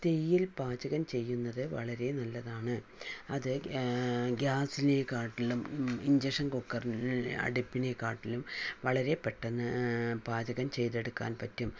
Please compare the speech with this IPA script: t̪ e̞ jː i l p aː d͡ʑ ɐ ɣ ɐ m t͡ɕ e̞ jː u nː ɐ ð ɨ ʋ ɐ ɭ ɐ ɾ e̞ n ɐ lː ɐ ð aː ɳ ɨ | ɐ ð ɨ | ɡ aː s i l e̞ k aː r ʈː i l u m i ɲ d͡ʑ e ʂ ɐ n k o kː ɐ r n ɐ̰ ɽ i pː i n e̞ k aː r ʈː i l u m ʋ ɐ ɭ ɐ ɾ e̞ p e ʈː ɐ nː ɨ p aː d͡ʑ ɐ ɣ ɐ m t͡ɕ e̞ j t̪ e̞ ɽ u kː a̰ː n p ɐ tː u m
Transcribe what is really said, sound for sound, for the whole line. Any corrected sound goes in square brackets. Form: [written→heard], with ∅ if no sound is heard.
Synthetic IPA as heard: t̪ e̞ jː i l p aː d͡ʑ ɐ ɣ ɐ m t͡ɕ e̞ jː u nː ɐ ð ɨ ʋ ɐ ɭ ɐ ɾ e̞ n ɐ lː ɐ ð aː ɳ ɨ | ɐ ð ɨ | ɡ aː s i l e̞ k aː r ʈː i l u m i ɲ d͡ʑ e ʂ ɐ n k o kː ɐ r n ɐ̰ ɽ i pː i n e̞ k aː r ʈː i l u m ʋ ɐ ɭ ɐ ɾ e̞ p e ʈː ɐ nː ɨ p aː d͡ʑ ɐ ɣ ɐ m t͡ɕ e̞ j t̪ e̞ ɽ u kː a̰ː n p ɐ tː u m